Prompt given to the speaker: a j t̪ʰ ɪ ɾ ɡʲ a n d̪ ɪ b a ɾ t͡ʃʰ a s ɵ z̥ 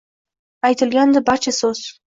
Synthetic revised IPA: a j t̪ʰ ɪ l ɡʲ a n d̪ ɪ b a ɾ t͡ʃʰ a s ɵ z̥